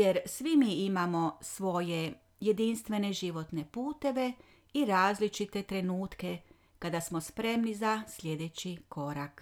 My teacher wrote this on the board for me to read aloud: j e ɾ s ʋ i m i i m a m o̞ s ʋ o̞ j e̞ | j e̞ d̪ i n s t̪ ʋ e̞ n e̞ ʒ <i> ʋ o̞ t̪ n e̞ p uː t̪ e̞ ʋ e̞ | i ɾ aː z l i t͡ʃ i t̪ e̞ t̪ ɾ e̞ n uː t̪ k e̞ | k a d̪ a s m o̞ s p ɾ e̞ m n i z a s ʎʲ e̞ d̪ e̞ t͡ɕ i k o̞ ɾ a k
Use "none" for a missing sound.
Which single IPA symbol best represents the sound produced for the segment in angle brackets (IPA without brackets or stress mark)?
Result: i